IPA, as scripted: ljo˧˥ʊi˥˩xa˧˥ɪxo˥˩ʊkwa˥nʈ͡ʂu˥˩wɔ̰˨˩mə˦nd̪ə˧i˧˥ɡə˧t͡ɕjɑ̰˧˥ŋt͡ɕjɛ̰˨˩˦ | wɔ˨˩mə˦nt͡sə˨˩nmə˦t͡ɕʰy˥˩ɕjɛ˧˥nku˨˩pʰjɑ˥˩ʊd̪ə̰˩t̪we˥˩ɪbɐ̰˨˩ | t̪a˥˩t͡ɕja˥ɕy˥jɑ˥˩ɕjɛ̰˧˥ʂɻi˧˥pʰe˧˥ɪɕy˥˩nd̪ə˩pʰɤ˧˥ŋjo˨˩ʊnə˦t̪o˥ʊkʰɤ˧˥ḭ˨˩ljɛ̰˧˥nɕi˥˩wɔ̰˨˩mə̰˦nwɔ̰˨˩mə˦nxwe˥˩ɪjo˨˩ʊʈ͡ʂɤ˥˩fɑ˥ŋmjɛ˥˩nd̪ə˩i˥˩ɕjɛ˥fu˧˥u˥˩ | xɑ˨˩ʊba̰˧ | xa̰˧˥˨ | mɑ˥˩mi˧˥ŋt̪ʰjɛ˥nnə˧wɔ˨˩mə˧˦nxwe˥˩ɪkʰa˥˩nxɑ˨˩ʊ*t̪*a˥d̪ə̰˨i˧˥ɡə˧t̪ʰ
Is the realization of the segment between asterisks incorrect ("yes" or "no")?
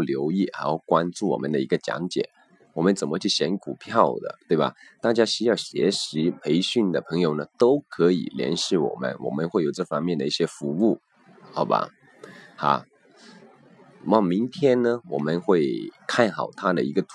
yes